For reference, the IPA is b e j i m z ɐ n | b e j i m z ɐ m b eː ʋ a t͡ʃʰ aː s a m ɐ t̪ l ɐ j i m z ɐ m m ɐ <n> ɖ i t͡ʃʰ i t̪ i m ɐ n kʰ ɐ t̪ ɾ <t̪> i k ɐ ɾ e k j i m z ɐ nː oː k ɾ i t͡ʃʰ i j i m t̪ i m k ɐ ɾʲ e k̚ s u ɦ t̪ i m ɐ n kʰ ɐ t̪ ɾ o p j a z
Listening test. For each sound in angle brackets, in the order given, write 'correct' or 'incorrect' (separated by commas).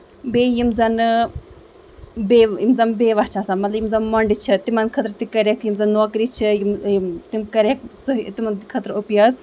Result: incorrect, correct